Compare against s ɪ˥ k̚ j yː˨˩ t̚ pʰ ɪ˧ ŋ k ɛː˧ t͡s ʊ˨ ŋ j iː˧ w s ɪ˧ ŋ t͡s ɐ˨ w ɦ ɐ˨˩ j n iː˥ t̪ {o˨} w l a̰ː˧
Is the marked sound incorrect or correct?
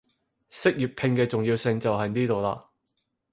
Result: correct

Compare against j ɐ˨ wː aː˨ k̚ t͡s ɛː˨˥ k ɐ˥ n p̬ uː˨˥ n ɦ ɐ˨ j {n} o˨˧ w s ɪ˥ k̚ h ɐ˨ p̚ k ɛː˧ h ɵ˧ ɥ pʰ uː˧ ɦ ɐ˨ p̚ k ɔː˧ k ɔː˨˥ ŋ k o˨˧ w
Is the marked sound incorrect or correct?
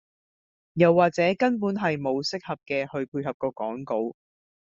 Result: incorrect: m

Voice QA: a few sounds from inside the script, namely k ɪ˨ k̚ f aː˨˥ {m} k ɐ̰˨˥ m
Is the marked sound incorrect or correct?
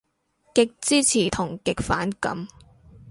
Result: incorrect: n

